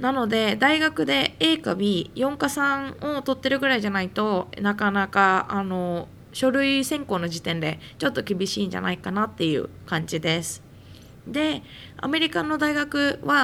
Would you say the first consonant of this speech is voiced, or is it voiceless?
voiced